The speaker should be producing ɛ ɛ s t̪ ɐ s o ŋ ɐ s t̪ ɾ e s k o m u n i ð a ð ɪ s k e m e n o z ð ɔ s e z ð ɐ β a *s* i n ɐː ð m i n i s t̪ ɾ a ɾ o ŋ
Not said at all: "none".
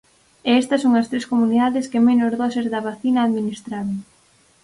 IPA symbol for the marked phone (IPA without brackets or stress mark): θ